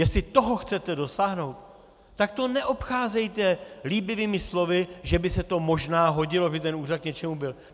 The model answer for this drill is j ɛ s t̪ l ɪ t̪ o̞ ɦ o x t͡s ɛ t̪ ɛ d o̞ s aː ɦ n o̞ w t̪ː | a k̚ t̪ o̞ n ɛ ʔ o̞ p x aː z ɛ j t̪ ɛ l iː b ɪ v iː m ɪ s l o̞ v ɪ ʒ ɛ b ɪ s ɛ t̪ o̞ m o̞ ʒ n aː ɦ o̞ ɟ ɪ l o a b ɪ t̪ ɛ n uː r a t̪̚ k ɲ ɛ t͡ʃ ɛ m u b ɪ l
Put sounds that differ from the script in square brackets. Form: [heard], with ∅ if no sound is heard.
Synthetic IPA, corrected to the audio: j ɛ s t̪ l ɪ t̪ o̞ ɦ o x t͡s ɛ t̪ ɛ d o̞ s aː ɦ n o̞ w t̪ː | a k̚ t̪ o̞ n ɛ ʔ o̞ p x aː z ɛ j t̪ ɛ l iː b ɪ v iː m ɪ s l o̞ v ɪ ʒ ɛ b ɪ s ɛ t̪ o̞ m o̞ ʒ n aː ɦ o̞ ɟ ɪ l o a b ɪ t̪ ɛ n uː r a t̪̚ k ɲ ɛ t͡ʃ ɛ m u b ɪ l

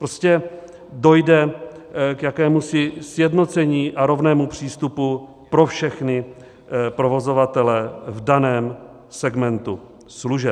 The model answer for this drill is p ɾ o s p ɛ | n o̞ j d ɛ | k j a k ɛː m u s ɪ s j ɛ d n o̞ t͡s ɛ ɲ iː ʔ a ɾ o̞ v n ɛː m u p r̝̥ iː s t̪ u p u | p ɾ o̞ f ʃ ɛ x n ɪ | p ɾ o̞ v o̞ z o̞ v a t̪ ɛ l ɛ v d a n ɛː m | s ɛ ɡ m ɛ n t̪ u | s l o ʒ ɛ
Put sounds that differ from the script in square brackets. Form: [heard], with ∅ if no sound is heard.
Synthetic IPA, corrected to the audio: p ɾ o s [c] ɛ | [d] o̞ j d ɛ | k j a k ɛː m u s ɪ s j ɛ d n o̞ t͡s ɛ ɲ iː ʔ a ɾ o̞ v n ɛː m u p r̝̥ iː s t̪ u p u | p ɾ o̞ f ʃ ɛ x n ɪ | p ɾ o̞ v o̞ z o̞ v a t̪ ɛ l ɛ v d a n ɛː m | s ɛ ɡ m ɛ n t̪ u | s l [u] ʒ ɛ

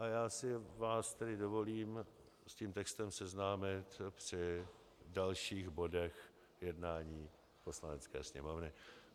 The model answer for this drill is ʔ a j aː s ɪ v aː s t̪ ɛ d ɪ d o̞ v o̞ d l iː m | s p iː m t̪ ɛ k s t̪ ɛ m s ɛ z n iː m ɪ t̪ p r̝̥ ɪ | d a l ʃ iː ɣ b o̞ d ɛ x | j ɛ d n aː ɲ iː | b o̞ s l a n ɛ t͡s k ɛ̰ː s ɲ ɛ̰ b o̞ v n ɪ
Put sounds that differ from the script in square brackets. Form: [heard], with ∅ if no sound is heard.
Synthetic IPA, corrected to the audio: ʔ a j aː s ɪ v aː s t̪ ɛ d ɪ d o̞ v o̞ [∅] l iː m | s [c] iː m t̪ ɛ k s t̪ ɛ m s ɛ z n [aː] m ɪ t̪ p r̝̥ ɪ | d a l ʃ iː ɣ b o̞ d ɛ x | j ɛ d n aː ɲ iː | [p] o̞ s l a n ɛ t͡s k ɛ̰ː s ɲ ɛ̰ [m] o̞ v n ɪ

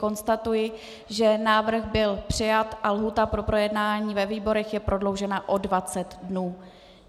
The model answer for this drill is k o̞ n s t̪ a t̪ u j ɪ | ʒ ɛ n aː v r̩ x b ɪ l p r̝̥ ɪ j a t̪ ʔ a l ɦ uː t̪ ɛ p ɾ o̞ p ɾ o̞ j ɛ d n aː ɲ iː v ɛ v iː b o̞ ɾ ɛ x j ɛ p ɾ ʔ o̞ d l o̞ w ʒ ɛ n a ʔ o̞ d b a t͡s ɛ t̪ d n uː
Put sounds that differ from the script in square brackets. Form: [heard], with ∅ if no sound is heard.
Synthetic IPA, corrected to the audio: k o̞ n s t̪ a t̪ u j ɪ | ʒ ɛ n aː v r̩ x b ɪ l p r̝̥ ɪ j a t̪ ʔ a l ɦ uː t̪ [a] p ɾ o̞ p ɾ o̞ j ɛ d n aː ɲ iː v ɛ v iː b o̞ ɾ ɛ x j ɛ p ɾ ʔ o̞ d l o̞ w ʒ ɛ n a ʔ o̞ d [v] a t͡s ɛ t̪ d n uː

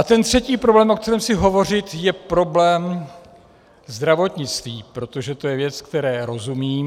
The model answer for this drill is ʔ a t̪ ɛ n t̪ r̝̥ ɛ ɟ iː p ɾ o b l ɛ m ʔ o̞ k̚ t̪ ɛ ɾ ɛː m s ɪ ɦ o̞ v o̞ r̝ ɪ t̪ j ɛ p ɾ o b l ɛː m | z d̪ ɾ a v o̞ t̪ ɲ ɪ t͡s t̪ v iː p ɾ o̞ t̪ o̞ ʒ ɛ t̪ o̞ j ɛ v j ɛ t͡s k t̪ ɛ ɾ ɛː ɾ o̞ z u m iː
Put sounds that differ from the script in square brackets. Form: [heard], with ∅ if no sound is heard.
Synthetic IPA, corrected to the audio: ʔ a t̪ ɛ n t̪ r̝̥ ɛ [c] iː p ɾ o b l [ɛː] m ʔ o̞ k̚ t̪ ɛ ɾ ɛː m s ɪ ɦ o̞ v o̞ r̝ ɪ t̪ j ɛ p ɾ o b l ɛː m | z d̪ ɾ a v o̞ t̪ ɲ ɪ t͡s t̪ v iː p ɾ o̞ t̪ o̞ ʒ ɛ t̪ o̞ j ɛ v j ɛ t͡s k t̪ ɛ ɾ ɛː ɾ o̞ z u m iː

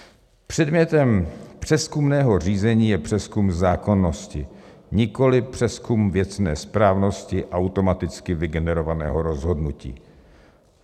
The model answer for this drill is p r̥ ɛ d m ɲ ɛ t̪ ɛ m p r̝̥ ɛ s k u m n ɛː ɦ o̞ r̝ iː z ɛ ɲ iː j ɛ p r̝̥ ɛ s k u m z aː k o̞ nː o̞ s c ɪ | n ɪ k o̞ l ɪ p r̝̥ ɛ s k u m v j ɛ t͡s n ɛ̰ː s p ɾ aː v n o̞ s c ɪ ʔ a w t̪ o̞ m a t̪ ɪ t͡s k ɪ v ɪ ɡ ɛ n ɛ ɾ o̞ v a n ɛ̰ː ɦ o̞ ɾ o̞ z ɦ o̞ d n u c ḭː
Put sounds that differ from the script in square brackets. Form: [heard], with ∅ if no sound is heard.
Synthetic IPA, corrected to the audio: p r̥ ɛ d m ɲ ɛ t̪ ɛ m p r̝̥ ɛ s k u m n ɛː ɦ o̞ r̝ iː z ɛ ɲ iː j ɛ p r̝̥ ɛ s k u m z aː k o̞ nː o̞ s c ɪ | [ɲ] ɪ k o̞ l ɪ p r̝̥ ɛ s k u m v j ɛ t͡s n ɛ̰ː s p ɾ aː v n o̞ s c ɪ ʔ a w t̪ o̞ m a t̪ ɪ t͡s k ɪ v ɪ ɡ ɛ n ɛ ɾ o̞ v a n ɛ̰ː ɦ o̞ ɾ o̞ z ɦ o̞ d n u c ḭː

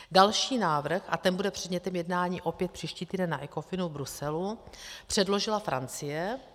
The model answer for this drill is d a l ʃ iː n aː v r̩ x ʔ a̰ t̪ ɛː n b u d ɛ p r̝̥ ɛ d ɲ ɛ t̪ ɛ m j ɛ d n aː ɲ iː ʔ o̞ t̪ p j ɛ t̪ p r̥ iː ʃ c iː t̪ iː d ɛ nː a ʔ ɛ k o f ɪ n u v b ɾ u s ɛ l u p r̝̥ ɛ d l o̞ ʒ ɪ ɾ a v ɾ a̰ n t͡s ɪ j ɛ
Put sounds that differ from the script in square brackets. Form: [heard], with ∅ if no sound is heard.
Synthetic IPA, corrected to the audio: d a l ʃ iː n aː v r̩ x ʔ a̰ t̪ [ɛ] n b u d ɛ p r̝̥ ɛ d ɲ ɛ t̪ ɛ m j ɛ d n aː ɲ iː ʔ o̞ [∅] p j ɛ t̪ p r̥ iː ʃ c iː t̪ iː d ɛ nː a ʔ ɛ k o f ɪ n u v b ɾ u s ɛ l u p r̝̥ ɛ d l o̞ ʒ ɪ [l] a [f] ɾ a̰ n t͡s ɪ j ɛ

